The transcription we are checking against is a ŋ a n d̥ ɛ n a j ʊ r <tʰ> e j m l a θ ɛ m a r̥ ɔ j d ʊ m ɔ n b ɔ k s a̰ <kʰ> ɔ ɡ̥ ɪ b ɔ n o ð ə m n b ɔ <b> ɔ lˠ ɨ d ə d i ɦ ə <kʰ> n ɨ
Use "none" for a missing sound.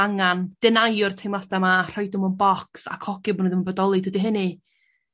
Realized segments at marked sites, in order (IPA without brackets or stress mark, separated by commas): tʰ, kʰ, d, none